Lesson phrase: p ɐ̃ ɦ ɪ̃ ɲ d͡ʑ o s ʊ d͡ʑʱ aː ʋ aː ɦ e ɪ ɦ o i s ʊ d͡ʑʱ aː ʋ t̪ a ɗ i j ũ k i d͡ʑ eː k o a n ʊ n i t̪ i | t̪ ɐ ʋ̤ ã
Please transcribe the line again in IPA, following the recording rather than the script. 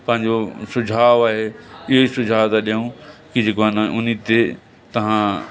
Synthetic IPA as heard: p ɐ̃ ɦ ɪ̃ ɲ d͡ʑ o s ʊ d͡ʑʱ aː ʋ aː ɦ e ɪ ɦ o i s ʊ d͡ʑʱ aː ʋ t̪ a ɗ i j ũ k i d͡ʑ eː k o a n ʊ n i t̪ e | t̪ ɐ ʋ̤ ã